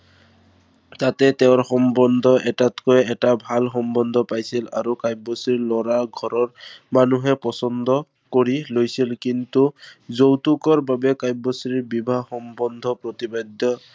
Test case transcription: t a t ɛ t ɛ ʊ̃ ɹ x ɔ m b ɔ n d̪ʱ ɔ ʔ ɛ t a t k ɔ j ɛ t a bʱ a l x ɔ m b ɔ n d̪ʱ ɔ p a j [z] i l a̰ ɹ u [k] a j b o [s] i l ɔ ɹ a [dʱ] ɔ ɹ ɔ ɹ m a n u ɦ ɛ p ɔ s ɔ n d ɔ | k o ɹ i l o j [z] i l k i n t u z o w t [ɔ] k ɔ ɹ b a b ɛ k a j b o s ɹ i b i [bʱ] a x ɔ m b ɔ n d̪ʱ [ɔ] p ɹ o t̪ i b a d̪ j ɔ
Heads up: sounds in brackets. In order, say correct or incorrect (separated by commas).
incorrect, correct, correct, incorrect, incorrect, incorrect, correct, correct